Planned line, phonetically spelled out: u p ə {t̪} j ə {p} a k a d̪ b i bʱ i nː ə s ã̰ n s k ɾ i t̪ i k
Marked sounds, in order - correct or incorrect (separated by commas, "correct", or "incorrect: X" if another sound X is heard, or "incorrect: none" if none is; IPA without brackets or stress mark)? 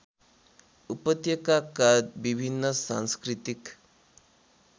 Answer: correct, incorrect: k